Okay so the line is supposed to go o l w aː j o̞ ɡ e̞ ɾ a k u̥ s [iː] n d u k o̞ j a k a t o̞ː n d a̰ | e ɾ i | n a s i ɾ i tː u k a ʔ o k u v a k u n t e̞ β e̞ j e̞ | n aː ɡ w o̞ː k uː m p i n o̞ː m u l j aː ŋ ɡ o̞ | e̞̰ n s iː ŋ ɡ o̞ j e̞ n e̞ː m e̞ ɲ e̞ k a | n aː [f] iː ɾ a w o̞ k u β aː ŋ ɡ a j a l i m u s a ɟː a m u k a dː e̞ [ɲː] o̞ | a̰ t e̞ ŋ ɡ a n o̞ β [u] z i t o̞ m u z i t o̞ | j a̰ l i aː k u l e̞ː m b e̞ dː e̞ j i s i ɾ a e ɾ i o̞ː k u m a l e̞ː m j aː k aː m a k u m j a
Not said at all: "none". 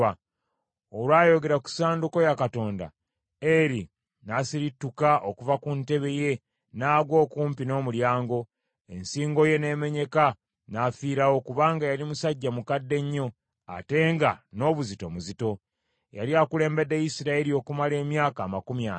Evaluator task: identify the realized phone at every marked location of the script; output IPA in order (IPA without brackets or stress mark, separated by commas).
aː, f, ɲː, u